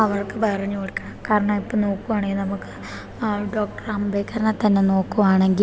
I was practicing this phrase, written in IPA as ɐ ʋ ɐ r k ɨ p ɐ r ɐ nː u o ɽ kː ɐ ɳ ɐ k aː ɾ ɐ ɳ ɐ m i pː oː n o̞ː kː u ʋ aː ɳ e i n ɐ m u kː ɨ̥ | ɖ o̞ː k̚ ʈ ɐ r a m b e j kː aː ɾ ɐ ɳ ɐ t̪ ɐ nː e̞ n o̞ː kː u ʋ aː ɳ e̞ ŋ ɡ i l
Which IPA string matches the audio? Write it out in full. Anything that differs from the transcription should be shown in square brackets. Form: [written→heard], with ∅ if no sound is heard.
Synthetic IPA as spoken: ɐ ʋ ɐ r k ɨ p ɐ r ɐ [nː→ɲː] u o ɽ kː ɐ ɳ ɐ k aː ɾ ɐ ɳ ɐ m i pː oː n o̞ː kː u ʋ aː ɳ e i n ɐ m u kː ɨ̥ | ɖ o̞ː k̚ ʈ ɐ r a m b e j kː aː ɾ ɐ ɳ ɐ t̪ ɐ nː e̞ n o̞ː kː u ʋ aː ɳ e̞ ŋ ɡ i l

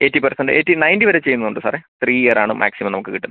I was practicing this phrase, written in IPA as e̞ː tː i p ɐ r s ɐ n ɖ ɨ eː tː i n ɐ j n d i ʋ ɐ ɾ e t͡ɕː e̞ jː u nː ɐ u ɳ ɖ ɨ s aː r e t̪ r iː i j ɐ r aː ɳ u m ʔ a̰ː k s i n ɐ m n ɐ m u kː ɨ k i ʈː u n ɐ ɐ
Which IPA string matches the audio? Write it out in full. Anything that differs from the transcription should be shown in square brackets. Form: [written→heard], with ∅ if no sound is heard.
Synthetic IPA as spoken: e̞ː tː i p ɐ r s ɐ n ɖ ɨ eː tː i n ɐ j n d i ʋ ɐ ɾ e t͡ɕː e̞ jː u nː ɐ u ɳ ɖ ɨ s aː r e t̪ r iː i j ɐ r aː ɳ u m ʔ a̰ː k s i [n→m] ɐ m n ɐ m u kː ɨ k i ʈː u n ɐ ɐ

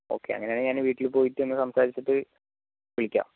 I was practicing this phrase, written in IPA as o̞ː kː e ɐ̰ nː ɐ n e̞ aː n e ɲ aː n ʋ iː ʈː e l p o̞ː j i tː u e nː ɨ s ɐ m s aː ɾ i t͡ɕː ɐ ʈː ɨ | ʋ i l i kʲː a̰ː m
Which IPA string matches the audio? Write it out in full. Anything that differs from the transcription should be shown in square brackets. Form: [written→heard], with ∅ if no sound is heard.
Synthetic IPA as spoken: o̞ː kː e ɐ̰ [nː→ŋː] ɐ n e̞ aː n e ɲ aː n ʋ iː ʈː [e→i] l p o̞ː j i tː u e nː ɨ s ɐ m s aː ɾ i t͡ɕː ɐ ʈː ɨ | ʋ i [l→ɭ] i kʲː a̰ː m

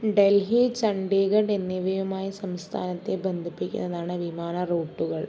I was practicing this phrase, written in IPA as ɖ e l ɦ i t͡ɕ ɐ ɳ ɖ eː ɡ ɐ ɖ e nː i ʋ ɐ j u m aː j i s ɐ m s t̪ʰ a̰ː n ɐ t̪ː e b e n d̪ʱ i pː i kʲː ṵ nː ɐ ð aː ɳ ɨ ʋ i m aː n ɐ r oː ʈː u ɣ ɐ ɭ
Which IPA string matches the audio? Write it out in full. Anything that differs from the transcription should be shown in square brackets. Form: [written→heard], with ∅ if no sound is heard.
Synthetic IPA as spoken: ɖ e l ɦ i t͡ɕ ɐ ɳ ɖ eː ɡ ɐ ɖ e nː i ʋ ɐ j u m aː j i s ɐ m s t̪ʰ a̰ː n ɐ t̪ː e b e n d̪ʱ i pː i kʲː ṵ nː ɐ ð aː ɳ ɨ ʋ i m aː n ɐ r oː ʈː u ɣ ɐ ɭ

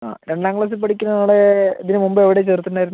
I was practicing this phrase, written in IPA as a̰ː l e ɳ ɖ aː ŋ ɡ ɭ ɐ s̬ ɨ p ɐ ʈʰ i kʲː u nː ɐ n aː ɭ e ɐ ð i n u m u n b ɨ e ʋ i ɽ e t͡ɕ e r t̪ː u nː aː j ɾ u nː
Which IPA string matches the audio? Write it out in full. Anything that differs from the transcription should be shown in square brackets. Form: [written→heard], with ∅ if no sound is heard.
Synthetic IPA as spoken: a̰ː [l→ɾ] e ɳ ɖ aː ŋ ɡ ɭ ɐ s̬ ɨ p ɐ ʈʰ i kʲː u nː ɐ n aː ɭ e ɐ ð i n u m u [n→m] b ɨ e ʋ i ɽ e t͡ɕ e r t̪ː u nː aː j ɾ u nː

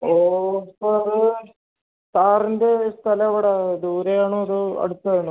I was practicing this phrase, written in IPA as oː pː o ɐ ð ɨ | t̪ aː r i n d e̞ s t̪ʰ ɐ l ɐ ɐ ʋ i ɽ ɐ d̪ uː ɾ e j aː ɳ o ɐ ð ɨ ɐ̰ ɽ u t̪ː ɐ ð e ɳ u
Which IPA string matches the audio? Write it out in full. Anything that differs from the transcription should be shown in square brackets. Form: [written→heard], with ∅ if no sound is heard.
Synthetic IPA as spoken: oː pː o ɐ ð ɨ | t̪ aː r i n d e̞ s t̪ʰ ɐ l ɐ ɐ ʋ i ɽ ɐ d̪ uː ɾ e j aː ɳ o ɐ ð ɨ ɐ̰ ɽ u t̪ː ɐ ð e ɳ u

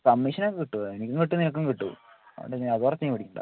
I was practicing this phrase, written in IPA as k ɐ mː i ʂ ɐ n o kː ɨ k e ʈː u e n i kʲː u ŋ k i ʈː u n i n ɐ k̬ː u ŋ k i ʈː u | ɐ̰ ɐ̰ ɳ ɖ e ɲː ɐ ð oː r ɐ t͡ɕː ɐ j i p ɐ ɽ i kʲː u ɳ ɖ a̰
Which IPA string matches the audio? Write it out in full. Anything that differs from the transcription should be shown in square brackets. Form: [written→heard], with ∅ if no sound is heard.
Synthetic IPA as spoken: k ɐ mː i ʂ ɐ n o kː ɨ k [e→i] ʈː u e n i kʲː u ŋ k i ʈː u n i n ɐ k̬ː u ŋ k i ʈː u | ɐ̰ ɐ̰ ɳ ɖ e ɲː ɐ ð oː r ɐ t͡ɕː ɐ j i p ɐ ɽ i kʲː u ɳ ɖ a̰

